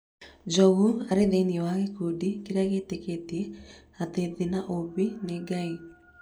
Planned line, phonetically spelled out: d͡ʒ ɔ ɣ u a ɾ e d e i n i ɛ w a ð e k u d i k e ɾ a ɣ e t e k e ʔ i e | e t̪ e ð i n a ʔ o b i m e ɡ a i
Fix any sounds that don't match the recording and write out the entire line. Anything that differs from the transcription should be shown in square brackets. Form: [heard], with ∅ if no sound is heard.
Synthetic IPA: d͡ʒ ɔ ɣ u a ɾ e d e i n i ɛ w a [ɣ] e k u d i k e ɾ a ɣ e t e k e [t] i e | [a] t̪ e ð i n a ʔ o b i [n] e ɡ a i